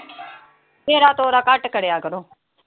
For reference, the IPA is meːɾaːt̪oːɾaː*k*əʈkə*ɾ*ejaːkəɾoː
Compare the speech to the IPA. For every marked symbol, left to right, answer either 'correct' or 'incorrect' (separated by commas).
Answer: correct, incorrect